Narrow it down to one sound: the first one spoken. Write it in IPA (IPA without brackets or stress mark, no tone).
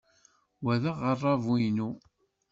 w